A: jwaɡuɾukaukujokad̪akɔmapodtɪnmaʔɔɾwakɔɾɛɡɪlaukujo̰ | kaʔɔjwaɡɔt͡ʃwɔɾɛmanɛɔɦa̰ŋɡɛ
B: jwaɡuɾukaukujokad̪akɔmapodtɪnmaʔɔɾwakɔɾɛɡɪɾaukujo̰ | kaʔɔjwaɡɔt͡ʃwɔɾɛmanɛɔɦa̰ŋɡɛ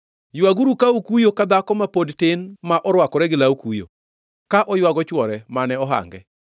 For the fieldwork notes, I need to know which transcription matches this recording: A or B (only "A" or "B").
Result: A